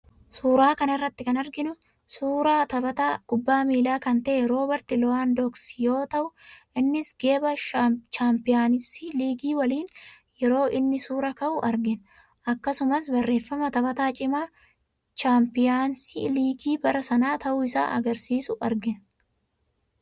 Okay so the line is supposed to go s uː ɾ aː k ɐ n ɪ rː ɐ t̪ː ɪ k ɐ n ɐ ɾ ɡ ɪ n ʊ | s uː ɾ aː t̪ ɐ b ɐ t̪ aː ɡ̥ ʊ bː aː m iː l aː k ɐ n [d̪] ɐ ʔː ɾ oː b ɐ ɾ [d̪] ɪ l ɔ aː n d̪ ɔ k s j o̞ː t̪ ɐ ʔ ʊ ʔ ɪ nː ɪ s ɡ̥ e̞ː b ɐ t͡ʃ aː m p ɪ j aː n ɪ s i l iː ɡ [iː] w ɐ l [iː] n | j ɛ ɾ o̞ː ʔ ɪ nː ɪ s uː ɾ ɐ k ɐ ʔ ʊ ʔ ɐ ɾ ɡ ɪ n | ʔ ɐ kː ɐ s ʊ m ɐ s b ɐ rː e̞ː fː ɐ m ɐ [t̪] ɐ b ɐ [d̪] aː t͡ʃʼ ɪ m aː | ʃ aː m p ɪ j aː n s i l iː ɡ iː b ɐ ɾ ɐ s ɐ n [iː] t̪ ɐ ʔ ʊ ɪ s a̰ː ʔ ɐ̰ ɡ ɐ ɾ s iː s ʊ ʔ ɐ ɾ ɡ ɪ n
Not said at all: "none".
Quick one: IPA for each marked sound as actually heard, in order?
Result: t̪, t̪, iː, iː, t̪, t̪, aː

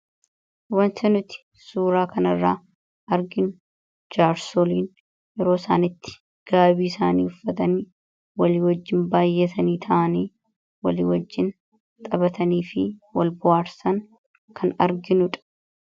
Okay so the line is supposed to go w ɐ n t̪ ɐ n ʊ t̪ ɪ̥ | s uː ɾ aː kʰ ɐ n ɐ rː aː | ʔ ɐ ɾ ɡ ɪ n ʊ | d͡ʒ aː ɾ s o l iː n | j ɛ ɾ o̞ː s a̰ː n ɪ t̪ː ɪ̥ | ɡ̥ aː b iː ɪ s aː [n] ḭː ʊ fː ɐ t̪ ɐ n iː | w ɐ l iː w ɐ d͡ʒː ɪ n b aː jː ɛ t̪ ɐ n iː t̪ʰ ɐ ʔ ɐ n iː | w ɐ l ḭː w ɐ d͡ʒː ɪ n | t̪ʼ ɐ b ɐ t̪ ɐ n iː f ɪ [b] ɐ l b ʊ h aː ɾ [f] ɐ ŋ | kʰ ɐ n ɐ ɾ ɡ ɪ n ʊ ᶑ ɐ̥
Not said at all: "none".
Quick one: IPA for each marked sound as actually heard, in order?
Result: n, w, s

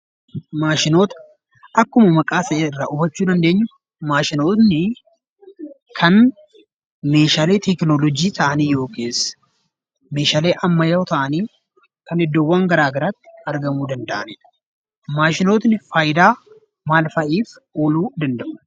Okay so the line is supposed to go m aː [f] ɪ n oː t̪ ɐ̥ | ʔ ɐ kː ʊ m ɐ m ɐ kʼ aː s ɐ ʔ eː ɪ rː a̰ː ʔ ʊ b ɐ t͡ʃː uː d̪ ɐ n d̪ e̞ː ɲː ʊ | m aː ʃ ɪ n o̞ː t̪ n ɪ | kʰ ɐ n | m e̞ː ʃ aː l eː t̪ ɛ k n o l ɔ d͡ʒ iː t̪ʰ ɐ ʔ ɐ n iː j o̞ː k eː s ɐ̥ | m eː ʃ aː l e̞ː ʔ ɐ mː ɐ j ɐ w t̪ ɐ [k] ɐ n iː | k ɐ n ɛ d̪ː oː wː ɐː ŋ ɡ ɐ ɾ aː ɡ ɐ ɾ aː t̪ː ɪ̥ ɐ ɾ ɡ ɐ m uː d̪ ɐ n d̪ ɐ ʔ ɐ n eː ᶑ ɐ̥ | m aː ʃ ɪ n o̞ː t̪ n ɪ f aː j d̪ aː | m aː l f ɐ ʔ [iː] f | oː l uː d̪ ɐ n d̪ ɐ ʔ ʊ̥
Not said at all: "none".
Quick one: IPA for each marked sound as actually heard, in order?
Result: ʃ, ʔ, iː

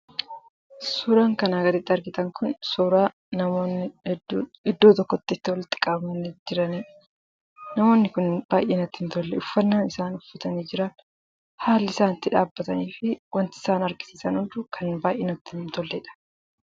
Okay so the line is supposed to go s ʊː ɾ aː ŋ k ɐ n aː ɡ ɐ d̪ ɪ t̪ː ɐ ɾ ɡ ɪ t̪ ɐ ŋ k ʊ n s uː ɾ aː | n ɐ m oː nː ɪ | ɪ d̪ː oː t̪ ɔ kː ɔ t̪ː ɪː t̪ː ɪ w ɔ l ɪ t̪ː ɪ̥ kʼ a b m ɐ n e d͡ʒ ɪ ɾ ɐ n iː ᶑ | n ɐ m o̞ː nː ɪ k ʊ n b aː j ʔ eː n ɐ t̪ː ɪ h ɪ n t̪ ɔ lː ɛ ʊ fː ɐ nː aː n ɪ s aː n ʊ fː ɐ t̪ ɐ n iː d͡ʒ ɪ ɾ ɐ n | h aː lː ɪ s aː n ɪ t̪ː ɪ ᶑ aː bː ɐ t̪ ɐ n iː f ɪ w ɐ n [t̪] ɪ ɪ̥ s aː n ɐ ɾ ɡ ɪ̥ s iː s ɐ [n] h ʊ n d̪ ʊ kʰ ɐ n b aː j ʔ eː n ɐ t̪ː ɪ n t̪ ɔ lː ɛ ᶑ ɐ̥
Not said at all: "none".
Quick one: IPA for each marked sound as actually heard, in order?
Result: t̪, n

